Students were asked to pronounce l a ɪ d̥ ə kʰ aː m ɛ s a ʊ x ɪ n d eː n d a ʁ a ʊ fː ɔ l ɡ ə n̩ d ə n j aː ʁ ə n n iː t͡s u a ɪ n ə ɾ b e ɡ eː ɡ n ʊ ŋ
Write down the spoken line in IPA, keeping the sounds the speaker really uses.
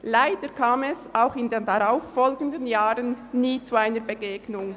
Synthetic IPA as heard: l a ɪ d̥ ə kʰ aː m ɛ s a ʊ x ɪ n d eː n d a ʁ a ʊ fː ɔ l ɡ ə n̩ d ə n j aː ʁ ə n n iː t͡s u a ɪ n ə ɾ b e ɡ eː ɡ n ʊ ŋ